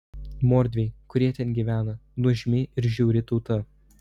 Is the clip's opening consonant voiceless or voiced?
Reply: voiced